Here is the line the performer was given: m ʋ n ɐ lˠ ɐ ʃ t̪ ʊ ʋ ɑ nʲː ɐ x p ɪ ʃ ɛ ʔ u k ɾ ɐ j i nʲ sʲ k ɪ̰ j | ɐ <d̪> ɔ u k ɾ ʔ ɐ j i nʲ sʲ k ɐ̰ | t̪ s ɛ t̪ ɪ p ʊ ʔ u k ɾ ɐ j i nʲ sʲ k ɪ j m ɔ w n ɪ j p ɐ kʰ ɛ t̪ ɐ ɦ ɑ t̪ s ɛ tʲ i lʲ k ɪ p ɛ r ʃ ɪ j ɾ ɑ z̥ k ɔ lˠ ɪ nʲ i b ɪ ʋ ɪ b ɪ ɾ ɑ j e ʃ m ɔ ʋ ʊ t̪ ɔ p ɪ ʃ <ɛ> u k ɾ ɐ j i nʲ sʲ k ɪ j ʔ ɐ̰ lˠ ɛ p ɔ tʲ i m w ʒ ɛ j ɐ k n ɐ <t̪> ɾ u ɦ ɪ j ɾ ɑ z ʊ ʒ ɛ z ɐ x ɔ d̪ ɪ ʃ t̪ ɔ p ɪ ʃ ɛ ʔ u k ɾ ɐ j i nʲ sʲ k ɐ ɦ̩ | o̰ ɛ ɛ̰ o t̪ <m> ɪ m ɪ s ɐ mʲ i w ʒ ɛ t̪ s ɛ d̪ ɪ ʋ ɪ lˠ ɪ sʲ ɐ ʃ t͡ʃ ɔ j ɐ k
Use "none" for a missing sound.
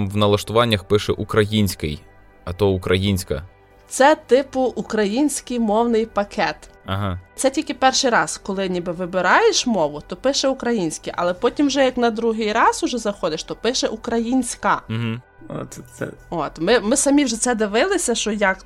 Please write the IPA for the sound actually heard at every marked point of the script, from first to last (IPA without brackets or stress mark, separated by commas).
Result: t̪, ɛ, d̪, m